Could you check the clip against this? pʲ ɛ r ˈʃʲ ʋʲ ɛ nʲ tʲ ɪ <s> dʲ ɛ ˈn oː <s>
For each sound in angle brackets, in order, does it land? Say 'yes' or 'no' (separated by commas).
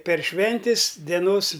yes, yes